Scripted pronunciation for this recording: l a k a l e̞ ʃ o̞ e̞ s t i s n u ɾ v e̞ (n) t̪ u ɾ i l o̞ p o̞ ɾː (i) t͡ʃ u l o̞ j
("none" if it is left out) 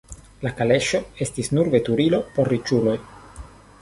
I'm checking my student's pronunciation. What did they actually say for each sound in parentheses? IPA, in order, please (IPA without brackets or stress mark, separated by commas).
none, i